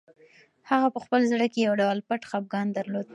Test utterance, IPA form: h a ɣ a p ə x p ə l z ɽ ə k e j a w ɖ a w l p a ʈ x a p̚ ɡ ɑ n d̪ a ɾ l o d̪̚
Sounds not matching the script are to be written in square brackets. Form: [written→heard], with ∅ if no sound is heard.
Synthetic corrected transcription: h a ɣ a p ə x p ə l z ɽ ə k e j a w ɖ a w l p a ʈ x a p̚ ɡ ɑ n d̪ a ɾ l o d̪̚